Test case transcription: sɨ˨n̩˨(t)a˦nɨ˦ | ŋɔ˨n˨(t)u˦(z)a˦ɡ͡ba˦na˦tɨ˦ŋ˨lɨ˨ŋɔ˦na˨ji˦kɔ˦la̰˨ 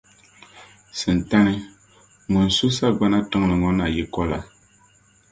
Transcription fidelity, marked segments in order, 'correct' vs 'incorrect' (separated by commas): correct, incorrect, incorrect